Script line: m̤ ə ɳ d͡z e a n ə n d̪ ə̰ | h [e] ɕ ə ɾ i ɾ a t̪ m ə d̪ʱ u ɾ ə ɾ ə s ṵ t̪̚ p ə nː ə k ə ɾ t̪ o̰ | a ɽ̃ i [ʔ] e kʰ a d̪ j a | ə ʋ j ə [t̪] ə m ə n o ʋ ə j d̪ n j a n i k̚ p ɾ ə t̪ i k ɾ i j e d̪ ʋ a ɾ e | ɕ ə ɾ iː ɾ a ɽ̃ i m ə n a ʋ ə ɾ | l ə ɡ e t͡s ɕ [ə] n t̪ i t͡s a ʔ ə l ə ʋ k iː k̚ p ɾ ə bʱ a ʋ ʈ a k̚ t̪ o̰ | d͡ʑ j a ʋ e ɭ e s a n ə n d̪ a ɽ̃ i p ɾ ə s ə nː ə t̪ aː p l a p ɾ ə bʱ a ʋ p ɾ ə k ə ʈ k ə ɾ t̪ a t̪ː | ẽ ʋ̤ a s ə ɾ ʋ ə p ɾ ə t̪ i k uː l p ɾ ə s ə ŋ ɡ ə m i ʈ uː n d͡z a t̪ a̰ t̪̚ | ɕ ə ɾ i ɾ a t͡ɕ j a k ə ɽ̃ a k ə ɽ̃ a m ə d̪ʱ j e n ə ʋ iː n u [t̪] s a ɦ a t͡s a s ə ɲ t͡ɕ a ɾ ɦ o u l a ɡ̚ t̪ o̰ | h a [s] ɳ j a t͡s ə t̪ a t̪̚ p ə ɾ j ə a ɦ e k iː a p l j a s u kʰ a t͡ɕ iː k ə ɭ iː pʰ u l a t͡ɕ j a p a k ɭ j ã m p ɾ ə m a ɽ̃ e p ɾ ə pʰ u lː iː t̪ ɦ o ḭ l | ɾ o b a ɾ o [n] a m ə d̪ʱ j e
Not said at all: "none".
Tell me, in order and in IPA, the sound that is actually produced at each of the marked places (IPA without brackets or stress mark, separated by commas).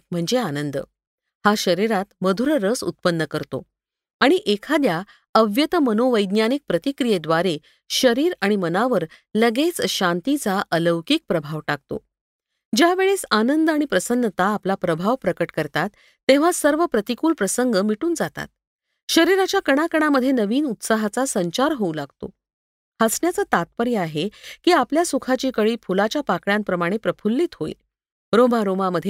a, ʔ, t̪, a, t̪, s, m